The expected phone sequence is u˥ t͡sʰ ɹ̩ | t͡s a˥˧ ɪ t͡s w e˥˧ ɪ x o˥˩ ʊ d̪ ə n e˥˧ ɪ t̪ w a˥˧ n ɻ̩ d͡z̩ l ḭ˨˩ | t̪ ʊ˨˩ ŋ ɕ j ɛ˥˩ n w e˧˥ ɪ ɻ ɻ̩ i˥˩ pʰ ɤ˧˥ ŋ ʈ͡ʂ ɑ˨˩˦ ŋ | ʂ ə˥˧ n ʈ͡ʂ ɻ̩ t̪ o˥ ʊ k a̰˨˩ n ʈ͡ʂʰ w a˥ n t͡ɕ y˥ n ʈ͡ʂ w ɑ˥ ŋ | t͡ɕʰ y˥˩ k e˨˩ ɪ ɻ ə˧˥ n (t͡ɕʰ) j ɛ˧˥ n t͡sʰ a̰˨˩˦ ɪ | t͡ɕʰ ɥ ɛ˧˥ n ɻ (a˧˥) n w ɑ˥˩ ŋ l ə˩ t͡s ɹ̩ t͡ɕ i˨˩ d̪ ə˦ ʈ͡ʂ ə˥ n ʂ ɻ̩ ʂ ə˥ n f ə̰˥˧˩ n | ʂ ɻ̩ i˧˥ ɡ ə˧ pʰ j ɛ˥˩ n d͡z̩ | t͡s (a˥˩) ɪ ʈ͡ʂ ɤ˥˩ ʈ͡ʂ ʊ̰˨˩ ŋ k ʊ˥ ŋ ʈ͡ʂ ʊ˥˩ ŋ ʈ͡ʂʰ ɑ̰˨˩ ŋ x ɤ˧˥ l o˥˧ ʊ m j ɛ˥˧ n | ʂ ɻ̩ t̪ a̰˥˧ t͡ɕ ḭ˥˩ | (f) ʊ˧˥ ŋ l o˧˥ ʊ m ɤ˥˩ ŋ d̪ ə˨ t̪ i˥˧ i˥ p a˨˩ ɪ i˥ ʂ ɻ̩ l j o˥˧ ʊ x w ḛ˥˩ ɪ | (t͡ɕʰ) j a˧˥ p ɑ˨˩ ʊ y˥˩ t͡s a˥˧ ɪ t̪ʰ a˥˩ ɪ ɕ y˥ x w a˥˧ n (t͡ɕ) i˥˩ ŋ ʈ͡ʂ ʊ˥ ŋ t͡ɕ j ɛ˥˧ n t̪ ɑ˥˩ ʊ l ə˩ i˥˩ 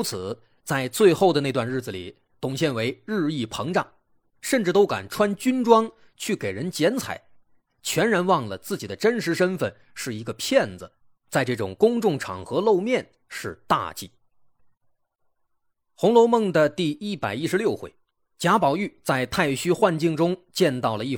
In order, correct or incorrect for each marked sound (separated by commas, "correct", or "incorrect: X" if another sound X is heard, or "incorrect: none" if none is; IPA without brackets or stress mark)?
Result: incorrect: t͡ɕ, correct, incorrect: a˥˧, incorrect: x, incorrect: t͡ɕ, correct